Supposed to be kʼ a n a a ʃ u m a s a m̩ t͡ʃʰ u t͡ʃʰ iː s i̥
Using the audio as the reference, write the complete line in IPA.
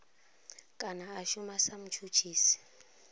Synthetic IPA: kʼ a n a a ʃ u m a s a m̩ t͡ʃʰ u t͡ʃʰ iː s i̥